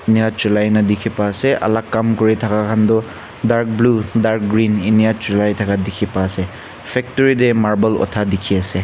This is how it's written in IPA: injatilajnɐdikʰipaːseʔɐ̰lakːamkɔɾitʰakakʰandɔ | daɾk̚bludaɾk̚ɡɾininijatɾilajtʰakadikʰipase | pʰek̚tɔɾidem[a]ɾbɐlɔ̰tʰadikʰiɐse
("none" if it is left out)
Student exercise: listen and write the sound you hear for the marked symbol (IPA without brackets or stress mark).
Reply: a